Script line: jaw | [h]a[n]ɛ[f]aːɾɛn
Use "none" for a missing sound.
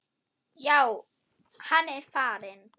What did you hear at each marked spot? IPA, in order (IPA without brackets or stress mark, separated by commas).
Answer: h, n, f